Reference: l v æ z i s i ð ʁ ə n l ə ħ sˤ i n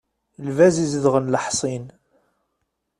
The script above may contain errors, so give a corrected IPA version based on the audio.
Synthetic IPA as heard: l v æ z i z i ð ʁ ə n l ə ħ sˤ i n